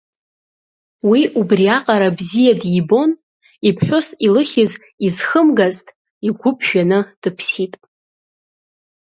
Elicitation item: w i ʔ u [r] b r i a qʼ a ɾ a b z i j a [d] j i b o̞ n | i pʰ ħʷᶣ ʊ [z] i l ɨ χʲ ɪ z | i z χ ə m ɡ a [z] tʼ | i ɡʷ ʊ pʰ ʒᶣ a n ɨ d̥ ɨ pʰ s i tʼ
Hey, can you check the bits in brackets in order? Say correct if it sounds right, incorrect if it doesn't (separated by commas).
incorrect, correct, incorrect, correct